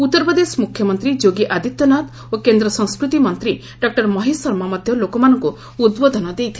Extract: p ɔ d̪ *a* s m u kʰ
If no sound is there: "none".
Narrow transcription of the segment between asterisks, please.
e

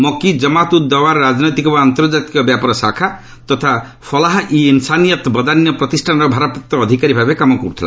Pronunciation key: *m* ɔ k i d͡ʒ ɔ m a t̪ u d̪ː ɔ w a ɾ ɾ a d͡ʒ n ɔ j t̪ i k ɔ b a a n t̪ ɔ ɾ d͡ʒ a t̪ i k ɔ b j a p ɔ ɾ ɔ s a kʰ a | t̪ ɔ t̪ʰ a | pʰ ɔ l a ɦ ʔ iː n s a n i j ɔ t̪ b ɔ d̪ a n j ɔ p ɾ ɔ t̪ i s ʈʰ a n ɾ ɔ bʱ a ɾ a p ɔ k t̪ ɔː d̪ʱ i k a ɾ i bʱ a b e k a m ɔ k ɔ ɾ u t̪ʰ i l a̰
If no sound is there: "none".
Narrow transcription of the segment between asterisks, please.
m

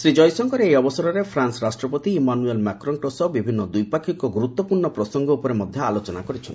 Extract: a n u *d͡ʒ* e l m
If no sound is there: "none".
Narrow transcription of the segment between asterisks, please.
none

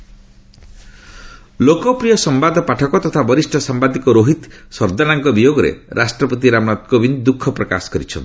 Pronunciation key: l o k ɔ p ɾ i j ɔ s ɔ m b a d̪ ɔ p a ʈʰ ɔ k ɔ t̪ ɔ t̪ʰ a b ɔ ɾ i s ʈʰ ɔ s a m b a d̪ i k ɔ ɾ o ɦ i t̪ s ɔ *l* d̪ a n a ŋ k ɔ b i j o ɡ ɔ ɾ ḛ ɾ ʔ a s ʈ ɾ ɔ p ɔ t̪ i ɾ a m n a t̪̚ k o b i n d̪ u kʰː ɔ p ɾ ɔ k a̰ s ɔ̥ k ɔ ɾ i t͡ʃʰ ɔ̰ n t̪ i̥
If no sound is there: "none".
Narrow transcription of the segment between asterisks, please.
ɾ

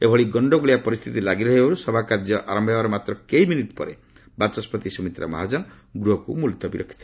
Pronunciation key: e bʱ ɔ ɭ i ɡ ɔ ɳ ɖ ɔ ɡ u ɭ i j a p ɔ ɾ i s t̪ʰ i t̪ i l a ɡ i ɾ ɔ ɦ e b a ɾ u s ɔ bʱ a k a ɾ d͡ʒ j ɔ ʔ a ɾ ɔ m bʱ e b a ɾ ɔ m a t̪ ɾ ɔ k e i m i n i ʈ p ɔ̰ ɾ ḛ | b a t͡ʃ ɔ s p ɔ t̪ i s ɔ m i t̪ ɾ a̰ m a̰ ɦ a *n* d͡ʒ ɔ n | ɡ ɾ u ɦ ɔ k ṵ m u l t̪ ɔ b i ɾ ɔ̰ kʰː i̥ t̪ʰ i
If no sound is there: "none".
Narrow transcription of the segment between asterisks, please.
none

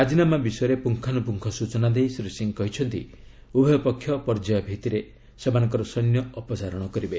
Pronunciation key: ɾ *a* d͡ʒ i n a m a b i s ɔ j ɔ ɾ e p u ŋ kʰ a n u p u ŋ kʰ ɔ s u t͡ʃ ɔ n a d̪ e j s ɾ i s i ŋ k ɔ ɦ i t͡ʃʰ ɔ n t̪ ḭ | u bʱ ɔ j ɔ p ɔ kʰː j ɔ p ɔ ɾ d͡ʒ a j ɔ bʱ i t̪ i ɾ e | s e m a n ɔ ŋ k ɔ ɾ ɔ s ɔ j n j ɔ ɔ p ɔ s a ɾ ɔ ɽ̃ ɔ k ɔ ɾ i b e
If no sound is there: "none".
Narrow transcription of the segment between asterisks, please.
a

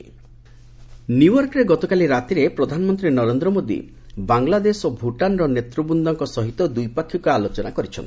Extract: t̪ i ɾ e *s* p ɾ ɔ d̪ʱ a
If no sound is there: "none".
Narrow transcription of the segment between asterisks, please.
none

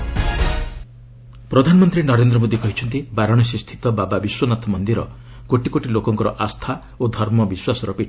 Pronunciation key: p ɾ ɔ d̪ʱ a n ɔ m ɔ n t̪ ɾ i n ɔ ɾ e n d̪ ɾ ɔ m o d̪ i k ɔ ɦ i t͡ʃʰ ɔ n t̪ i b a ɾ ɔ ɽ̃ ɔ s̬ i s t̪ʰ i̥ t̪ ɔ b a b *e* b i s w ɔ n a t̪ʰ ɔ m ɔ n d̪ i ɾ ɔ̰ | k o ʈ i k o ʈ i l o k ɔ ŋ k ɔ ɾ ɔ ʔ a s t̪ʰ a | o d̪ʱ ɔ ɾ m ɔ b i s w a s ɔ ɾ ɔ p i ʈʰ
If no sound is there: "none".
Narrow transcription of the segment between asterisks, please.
a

